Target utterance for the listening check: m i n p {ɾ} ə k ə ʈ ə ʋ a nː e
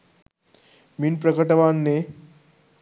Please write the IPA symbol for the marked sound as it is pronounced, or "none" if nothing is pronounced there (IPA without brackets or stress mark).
ɾ